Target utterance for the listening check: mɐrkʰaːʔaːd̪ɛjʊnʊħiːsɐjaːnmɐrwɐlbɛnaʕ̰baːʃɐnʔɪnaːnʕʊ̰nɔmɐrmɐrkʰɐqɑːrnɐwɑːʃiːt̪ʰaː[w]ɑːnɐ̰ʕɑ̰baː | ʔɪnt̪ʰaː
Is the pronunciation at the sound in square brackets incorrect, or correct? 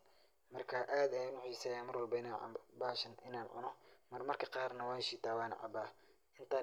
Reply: correct